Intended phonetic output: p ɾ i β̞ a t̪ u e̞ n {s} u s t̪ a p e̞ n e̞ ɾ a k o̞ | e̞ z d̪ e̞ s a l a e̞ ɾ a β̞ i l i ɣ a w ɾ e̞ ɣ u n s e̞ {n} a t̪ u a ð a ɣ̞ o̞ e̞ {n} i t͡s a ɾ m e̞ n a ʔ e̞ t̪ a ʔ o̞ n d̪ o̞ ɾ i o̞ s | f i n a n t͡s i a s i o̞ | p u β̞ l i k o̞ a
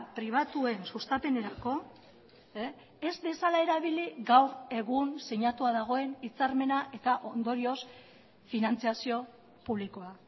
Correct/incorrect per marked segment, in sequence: correct, incorrect: ɲ, correct

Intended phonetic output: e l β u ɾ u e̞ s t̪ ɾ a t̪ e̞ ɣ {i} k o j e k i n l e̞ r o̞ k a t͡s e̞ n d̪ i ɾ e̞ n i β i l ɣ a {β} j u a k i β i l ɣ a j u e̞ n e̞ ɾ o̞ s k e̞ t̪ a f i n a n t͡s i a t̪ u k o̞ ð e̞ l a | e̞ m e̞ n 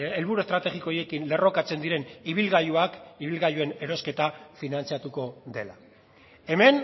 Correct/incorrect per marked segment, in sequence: correct, incorrect: none

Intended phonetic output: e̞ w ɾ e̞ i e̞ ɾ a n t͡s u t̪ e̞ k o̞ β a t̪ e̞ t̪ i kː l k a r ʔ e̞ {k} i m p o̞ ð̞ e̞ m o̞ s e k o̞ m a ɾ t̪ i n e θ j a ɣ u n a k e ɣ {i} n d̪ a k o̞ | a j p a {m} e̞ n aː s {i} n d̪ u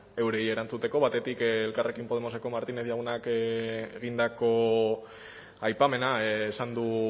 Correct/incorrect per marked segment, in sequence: correct, correct, correct, incorrect: a

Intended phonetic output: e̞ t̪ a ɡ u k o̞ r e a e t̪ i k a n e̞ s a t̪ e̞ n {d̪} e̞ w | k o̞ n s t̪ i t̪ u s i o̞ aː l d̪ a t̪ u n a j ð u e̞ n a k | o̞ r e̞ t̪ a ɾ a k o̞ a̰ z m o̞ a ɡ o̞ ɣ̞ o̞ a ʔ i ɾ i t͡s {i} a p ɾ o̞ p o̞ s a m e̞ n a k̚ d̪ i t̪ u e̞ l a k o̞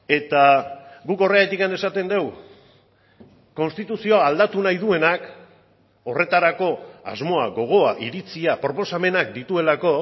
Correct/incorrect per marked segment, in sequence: correct, correct

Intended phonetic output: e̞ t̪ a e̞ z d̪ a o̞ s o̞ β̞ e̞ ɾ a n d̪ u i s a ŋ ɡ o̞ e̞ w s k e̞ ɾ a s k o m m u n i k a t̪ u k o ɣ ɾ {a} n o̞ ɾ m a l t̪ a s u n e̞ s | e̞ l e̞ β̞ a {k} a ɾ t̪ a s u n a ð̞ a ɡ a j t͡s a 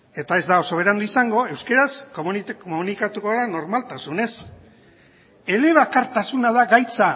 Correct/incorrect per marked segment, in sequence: correct, correct

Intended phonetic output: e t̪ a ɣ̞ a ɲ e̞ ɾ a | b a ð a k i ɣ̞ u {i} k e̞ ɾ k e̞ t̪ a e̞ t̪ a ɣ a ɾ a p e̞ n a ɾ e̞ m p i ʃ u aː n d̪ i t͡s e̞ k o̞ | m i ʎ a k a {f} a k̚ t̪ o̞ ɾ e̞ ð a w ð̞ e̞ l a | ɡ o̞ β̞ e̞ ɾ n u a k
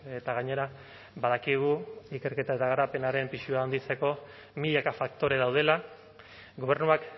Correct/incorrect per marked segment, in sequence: correct, correct

